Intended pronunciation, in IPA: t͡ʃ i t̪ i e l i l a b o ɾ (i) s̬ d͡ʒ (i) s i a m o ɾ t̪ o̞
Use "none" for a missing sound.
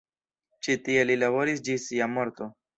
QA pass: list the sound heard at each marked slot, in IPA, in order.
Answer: i, i

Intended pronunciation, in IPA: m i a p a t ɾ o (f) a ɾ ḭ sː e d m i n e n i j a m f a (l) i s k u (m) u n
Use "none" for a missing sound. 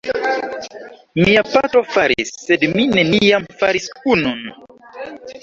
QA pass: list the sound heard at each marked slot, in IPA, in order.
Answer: f, ɾ, n

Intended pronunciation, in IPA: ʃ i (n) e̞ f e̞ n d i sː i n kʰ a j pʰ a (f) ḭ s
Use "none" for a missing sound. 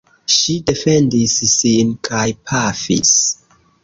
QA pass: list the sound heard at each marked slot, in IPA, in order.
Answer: d, f

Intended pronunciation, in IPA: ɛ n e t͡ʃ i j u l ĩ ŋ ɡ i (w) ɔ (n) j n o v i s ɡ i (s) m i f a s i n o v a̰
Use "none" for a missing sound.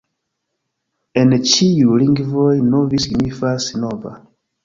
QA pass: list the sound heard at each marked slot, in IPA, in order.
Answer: v, none, none

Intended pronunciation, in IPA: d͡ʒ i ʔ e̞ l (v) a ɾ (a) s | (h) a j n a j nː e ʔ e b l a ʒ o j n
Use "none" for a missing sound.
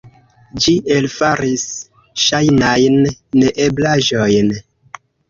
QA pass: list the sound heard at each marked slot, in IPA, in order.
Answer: f, i, ʃ

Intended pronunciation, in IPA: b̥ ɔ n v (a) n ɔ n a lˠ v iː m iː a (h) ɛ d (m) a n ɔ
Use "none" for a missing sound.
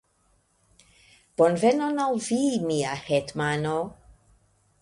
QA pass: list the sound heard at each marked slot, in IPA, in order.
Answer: ɛ, h, m

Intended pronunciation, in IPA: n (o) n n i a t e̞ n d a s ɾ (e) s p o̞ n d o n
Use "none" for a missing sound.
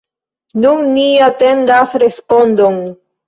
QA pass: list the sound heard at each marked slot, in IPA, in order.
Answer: u, e

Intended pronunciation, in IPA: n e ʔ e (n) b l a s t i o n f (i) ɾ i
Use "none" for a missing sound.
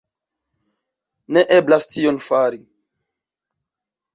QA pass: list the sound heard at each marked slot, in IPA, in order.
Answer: none, a

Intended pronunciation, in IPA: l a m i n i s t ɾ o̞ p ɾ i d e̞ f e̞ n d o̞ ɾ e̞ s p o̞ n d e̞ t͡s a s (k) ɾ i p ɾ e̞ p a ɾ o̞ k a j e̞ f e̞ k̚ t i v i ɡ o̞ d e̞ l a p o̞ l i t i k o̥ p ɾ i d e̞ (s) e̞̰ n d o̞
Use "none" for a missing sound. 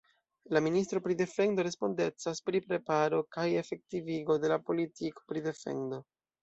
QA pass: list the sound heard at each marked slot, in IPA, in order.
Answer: p, f

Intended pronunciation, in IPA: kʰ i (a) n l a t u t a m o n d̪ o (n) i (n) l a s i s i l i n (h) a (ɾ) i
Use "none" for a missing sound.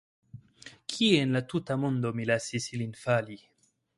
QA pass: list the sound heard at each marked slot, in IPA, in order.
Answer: e, m, none, f, l

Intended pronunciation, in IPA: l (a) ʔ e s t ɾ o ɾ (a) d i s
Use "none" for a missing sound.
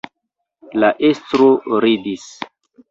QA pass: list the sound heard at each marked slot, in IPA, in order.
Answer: a, i

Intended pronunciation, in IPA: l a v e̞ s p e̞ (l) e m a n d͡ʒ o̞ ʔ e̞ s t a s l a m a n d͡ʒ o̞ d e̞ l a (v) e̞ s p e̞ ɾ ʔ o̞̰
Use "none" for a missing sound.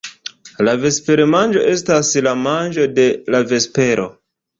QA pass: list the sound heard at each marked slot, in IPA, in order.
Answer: ɾ, v

